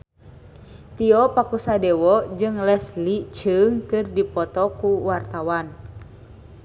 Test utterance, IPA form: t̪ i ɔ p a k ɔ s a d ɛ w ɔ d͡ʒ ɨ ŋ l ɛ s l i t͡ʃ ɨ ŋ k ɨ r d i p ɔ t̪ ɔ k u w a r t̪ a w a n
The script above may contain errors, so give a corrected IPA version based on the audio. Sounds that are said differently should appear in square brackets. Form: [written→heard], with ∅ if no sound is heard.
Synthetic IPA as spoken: t̪ i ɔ p a k [ɔ→u] s a d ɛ w ɔ d͡ʒ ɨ ŋ l ɛ s l i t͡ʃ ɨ ŋ k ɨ r d i p ɔ t̪ ɔ k u w a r t̪ a w a n